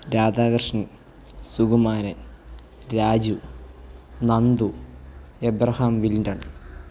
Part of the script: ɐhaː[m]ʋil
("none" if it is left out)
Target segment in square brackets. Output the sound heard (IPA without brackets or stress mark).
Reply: m